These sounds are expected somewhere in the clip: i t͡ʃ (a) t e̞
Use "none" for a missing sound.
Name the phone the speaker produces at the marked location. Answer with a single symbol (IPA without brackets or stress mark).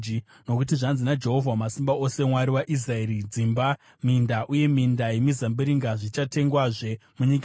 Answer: a